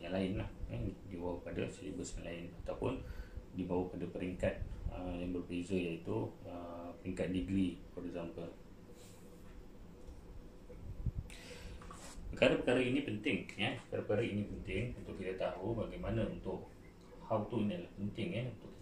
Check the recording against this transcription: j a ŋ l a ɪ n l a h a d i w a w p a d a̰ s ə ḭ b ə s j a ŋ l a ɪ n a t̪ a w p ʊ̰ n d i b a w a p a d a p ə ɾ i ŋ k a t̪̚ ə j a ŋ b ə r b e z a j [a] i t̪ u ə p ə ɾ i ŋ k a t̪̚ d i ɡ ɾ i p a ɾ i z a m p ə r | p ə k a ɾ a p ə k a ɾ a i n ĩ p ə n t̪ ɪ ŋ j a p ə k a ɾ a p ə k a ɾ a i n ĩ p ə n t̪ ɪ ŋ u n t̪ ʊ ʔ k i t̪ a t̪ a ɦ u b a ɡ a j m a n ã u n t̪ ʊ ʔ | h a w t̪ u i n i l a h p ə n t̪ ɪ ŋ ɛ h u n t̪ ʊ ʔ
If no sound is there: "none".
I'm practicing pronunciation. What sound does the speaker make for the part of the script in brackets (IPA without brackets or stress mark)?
a